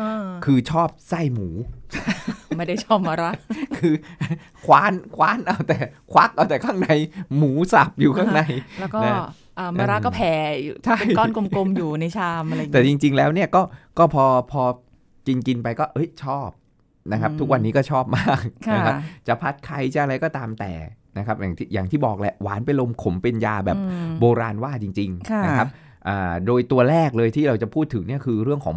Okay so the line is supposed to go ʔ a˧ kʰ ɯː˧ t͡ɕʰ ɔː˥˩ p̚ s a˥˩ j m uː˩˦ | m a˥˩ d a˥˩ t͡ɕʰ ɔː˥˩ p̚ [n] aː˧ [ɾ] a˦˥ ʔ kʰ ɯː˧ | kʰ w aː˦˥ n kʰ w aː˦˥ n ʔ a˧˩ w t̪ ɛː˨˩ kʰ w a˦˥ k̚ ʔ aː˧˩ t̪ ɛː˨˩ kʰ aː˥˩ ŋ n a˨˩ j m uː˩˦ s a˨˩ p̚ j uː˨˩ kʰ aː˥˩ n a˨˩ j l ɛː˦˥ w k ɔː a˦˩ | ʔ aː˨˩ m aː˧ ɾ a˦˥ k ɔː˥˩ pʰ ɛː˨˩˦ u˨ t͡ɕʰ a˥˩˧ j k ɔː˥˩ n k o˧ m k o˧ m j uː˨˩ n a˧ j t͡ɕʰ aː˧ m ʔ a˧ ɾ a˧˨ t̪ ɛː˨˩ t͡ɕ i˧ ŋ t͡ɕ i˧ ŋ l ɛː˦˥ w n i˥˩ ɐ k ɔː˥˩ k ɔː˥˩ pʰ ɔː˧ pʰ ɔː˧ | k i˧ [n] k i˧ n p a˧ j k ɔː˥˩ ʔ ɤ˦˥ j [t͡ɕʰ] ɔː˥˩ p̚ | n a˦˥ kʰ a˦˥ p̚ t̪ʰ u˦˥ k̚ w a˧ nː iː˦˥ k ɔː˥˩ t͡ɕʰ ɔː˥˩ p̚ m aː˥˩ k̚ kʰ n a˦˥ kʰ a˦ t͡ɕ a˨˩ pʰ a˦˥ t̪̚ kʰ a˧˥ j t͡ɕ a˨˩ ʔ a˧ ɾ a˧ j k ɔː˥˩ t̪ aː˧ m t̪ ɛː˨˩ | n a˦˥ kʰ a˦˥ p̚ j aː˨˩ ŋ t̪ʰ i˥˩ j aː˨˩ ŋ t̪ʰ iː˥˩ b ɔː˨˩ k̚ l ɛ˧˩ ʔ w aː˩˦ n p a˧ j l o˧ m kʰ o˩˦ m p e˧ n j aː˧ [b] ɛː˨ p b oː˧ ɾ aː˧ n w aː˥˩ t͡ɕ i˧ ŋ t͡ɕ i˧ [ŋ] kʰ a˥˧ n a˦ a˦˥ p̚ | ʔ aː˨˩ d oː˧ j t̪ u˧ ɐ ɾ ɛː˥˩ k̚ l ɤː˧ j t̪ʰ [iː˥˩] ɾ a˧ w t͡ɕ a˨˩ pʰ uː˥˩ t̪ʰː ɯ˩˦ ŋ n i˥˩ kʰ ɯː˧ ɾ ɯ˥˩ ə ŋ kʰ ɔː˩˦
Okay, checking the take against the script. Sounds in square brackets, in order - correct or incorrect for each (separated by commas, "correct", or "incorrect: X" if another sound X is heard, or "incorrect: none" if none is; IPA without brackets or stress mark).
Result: incorrect: m, correct, correct, correct, correct, correct, correct